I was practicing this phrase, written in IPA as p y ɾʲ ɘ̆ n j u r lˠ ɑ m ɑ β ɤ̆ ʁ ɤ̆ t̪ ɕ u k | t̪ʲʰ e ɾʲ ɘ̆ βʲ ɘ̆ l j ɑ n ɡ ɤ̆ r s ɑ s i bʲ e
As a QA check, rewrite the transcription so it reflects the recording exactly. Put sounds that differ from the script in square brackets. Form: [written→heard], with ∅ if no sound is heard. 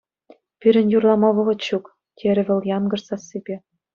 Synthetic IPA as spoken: p y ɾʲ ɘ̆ n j u r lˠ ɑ m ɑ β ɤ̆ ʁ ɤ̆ t̪ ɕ u k | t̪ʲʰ e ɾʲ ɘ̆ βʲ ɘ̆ l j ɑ n ɡ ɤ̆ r s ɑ s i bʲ e